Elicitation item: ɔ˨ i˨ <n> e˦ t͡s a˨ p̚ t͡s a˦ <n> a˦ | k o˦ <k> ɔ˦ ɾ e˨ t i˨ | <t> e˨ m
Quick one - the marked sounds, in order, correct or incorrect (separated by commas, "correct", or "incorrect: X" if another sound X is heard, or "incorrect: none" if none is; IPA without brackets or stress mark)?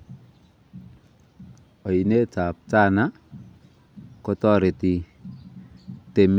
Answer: correct, correct, incorrect: t, correct